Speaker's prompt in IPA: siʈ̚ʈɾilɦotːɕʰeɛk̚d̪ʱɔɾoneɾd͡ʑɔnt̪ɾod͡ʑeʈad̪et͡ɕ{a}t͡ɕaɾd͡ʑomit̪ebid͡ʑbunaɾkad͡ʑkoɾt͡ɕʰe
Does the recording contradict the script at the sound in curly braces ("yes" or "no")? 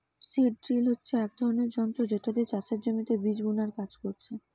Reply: no